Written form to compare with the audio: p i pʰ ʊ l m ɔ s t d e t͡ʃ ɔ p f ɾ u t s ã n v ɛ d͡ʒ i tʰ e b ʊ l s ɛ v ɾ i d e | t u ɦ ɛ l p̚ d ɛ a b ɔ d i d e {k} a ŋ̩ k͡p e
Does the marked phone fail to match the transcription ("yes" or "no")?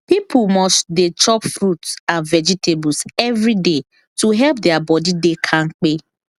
yes